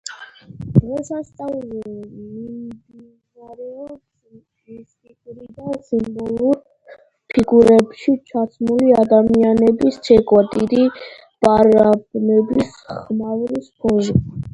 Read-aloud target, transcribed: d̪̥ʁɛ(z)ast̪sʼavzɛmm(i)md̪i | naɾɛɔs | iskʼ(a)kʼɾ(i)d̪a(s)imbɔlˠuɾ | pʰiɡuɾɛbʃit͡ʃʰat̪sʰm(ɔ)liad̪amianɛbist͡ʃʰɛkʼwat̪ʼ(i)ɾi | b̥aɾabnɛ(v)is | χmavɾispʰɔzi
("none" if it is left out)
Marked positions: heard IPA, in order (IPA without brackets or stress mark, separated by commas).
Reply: s, i, i, i, s, u, i, b